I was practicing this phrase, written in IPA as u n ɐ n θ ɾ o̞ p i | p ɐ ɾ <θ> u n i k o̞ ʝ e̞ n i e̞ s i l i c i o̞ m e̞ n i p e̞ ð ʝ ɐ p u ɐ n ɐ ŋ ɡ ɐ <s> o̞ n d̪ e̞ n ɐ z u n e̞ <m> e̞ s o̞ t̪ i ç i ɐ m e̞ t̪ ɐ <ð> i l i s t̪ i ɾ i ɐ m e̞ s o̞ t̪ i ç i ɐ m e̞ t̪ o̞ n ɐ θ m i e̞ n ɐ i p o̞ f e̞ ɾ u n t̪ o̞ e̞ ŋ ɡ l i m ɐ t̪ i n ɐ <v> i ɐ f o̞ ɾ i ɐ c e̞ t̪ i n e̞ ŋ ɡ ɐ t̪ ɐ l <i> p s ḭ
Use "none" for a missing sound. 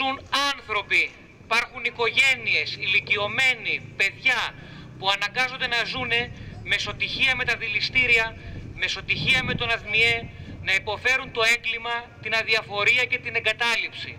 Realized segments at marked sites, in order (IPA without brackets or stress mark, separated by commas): x, z, m, ð, ð, i